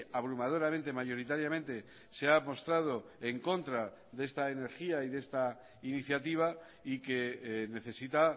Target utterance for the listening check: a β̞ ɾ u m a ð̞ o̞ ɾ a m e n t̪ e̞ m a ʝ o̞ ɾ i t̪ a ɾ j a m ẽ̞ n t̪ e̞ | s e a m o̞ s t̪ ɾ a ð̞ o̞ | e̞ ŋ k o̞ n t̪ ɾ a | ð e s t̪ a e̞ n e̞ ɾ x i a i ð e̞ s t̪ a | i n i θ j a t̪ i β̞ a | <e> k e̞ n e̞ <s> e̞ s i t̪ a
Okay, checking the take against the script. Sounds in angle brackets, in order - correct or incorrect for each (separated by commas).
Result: incorrect, incorrect